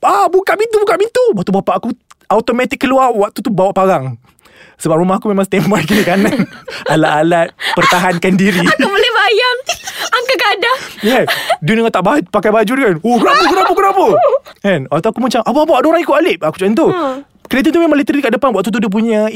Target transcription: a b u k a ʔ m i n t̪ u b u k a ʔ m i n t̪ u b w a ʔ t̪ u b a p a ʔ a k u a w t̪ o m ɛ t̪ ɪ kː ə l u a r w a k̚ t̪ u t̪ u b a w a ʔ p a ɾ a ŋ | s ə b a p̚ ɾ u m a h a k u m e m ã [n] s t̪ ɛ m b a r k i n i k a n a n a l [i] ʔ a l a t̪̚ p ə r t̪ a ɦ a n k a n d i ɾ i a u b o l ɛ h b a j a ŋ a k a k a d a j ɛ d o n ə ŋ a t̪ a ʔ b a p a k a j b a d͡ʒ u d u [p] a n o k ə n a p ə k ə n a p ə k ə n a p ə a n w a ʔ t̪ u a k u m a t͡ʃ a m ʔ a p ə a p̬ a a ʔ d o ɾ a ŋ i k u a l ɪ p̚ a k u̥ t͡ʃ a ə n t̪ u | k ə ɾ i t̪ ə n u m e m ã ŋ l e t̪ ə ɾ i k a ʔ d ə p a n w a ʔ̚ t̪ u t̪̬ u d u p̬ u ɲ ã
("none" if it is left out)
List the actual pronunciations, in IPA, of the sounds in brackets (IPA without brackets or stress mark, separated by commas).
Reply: ŋ, a, k